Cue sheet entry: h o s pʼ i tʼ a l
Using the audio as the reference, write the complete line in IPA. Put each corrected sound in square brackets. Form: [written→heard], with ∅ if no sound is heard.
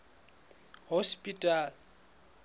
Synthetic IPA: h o s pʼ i tʼ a l